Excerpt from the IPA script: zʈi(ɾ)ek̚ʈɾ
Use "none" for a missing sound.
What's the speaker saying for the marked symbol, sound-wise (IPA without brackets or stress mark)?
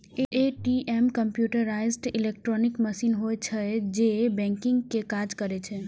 l